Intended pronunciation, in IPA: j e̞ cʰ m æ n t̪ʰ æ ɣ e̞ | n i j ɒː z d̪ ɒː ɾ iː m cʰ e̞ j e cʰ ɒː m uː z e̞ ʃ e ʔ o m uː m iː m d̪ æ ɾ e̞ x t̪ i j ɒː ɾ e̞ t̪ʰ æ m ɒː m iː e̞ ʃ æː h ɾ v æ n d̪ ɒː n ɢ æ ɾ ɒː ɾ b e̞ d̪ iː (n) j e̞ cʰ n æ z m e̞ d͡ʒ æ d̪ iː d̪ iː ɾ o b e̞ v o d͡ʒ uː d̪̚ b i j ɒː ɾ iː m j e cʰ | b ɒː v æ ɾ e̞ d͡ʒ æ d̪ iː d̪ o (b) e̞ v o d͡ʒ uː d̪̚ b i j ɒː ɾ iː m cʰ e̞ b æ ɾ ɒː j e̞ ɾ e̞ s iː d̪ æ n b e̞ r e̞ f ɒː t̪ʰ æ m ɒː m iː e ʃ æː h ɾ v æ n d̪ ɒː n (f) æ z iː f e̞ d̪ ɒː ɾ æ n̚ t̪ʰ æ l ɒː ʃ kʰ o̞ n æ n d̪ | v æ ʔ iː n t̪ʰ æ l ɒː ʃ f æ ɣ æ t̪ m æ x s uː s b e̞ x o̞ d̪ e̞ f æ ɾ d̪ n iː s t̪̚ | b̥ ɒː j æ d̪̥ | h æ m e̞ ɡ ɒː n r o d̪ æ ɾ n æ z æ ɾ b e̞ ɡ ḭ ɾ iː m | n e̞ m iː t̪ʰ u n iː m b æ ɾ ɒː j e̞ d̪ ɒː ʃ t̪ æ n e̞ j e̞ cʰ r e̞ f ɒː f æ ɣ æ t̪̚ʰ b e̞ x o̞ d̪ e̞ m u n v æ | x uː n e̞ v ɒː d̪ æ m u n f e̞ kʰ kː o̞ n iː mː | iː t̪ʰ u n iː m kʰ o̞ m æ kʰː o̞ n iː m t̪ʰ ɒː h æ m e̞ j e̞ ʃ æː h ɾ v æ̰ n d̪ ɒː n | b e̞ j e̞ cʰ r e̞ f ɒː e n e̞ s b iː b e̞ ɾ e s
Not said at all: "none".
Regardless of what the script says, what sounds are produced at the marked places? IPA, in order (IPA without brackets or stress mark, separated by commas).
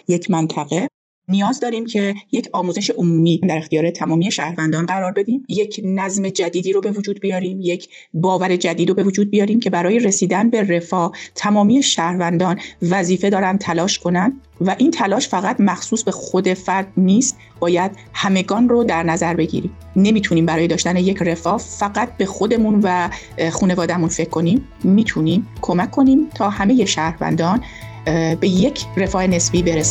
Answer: m, b, v